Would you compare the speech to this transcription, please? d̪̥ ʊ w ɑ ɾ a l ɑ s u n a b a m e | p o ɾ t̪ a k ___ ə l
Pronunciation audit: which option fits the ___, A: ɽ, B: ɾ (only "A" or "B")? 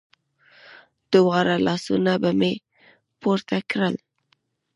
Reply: B